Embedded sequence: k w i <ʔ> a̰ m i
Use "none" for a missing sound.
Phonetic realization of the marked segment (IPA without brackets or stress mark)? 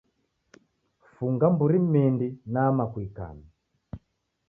k